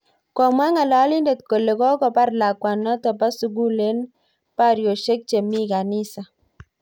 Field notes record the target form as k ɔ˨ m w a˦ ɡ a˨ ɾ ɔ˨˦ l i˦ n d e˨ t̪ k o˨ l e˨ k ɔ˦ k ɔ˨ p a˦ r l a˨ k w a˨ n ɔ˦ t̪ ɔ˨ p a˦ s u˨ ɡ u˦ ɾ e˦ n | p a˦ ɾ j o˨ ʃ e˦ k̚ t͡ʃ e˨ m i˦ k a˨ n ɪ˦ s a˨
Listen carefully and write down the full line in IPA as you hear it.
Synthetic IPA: k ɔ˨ m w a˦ ŋ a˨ l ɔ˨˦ l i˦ n d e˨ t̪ k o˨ l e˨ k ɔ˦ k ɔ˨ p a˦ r l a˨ k w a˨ n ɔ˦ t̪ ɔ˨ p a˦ s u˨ ɡ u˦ l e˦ n | p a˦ ɾ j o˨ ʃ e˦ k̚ t͡ʃ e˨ m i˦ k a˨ n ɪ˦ s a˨